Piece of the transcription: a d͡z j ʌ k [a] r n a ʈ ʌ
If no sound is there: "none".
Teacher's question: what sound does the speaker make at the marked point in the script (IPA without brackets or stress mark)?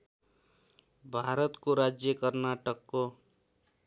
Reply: ʌ